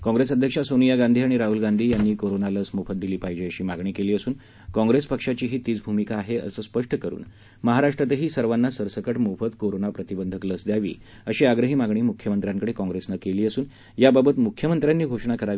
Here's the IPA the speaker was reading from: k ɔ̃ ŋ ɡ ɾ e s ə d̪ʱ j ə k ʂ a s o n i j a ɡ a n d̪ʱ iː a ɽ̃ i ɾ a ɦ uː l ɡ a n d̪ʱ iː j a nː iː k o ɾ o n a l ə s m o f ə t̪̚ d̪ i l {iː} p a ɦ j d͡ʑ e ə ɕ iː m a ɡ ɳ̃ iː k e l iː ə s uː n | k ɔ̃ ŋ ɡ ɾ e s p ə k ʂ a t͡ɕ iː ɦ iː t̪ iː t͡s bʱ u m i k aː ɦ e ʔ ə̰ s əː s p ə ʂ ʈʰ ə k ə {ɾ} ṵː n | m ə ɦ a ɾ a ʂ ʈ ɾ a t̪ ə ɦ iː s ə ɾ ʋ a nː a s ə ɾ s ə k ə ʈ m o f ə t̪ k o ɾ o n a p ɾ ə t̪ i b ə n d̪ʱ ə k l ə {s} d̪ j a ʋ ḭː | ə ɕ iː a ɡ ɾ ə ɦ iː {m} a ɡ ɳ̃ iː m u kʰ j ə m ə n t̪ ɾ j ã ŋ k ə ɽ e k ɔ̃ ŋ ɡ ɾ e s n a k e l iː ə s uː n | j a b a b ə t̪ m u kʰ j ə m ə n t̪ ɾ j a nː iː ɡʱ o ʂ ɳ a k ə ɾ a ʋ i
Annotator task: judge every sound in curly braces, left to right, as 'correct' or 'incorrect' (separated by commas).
correct, correct, correct, correct